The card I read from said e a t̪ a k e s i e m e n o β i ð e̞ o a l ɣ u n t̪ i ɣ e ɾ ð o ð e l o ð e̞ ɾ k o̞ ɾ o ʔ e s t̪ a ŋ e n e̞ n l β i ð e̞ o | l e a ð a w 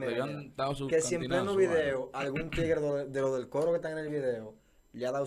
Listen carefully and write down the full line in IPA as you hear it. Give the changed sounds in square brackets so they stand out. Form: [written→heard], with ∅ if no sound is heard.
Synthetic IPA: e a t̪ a k e s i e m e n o β i ð e̞ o a l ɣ u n t̪ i ɣ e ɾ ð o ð e l o ð e̞ [ɾ→l] k o̞ ɾ o [ʔ→k] e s t̪ a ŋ e n e̞ [n→∅] l β i ð e̞ o | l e a ð a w